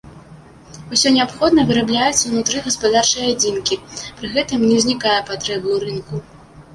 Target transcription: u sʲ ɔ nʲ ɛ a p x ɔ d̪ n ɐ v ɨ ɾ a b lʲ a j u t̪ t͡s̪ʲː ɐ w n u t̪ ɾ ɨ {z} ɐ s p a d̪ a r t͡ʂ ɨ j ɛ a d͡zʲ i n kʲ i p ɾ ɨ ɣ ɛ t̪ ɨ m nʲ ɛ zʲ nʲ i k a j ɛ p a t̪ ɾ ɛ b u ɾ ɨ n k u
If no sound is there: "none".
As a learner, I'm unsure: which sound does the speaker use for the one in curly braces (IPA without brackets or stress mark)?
ɣ